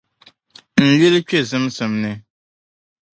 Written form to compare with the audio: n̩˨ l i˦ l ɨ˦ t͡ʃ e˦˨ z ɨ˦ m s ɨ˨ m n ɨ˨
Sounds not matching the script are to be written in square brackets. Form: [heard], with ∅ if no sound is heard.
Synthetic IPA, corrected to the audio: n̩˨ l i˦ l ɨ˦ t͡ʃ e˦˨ z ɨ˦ m s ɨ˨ m n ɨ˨